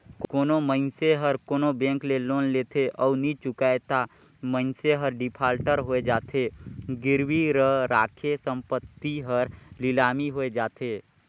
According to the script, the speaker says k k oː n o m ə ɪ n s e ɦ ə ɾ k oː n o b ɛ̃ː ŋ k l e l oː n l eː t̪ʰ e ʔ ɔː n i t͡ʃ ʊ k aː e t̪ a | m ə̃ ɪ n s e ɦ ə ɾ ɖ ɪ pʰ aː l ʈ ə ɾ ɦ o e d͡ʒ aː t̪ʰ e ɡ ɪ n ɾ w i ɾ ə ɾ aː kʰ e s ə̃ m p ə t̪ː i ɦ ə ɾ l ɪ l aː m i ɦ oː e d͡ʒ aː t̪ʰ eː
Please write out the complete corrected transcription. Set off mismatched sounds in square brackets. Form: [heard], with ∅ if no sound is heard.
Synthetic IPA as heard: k k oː n o m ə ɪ n s e ɦ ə ɾ k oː n o b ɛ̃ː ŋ k l e l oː n l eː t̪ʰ e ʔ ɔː n i t͡ʃ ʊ k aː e t̪ a | m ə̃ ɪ n s e ɦ ə ɾ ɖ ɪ pʰ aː l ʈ ə ɾ ɦ o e d͡ʒ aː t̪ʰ e ɡ ɪ [∅] ɾ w i ɾ ə ɾ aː kʰ e s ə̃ m p ə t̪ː i ɦ ə ɾ l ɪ l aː m i ɦ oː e d͡ʒ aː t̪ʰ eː

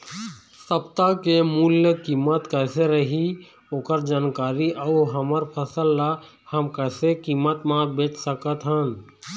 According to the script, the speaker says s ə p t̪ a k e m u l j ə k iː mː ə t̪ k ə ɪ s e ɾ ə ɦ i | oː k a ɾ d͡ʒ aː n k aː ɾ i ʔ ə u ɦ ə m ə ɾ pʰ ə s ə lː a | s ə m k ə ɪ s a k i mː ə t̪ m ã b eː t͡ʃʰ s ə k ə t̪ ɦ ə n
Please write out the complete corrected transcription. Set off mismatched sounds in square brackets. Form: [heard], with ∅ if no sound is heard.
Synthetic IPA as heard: s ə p t̪ a k e m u l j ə k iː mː ə t̪ k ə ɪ s e ɾ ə ɦ i | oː k [ə] ɾ d͡ʒ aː n k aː ɾ i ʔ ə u ɦ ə m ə ɾ pʰ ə s ə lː a | [h] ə m k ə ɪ s [e] k i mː ə t̪ m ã b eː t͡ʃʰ s ə k ə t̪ ɦ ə n

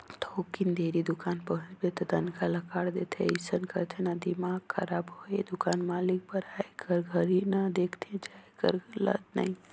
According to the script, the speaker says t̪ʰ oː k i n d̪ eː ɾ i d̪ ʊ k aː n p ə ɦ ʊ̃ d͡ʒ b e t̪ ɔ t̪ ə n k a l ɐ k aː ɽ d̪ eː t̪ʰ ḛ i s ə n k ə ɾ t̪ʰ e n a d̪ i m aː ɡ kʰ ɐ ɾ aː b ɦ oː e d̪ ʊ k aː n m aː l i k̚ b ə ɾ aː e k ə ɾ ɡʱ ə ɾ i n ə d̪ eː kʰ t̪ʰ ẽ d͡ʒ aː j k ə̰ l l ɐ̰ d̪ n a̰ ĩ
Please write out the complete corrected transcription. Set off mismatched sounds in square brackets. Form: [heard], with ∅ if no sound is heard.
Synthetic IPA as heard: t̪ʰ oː k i n d̪ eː ɾ i d̪ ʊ k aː n p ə ɦ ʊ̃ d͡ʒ b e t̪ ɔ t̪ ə n k a l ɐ k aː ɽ d̪ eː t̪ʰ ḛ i s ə n k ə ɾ t̪ʰ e n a d̪ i m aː ɡ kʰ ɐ ɾ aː b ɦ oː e d̪ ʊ k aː n m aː l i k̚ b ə ɾ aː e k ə ɾ ɡʱ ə ɾ i n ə d̪ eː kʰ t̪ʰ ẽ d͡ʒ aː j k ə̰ [ɾ] l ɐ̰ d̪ n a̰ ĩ

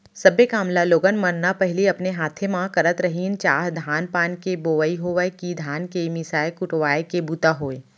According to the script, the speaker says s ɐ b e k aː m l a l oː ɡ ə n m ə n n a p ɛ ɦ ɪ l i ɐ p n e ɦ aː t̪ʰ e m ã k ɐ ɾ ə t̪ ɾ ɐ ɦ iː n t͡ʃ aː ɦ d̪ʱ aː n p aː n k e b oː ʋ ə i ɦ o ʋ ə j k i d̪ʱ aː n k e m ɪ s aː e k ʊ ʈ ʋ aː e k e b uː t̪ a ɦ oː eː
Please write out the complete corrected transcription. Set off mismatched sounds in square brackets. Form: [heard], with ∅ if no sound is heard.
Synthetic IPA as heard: s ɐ b e k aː m l a l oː ɡ ə n m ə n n a p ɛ ɦ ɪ l i ɐ p n e ɦ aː t̪ʰ e m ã k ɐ ɾ ə t̪ ɾ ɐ ɦ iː n t͡ʃ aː ɦ d̪ʱ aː n p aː n k e b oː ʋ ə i ɦ o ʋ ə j k i d̪ʱ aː n k e m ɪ s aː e k ʊ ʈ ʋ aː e k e b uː t̪ a ɦ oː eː

